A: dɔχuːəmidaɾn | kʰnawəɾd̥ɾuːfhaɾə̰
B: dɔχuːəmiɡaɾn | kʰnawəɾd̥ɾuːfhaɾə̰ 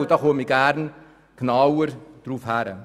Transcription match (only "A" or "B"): B